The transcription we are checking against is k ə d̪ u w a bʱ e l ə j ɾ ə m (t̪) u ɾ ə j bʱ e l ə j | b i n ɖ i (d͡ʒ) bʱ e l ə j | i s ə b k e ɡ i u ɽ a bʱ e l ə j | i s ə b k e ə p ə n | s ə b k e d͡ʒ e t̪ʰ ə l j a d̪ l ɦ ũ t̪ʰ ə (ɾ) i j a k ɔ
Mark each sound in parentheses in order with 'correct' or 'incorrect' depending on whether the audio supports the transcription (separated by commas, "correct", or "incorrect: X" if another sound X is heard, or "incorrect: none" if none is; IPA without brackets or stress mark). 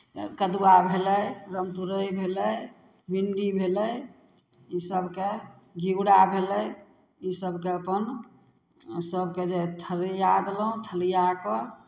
correct, incorrect: none, incorrect: l